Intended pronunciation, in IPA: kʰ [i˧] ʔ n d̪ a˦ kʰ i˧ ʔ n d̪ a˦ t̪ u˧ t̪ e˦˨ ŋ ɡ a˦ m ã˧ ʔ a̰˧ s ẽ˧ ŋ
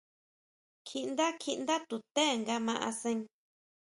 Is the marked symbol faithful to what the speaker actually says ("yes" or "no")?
yes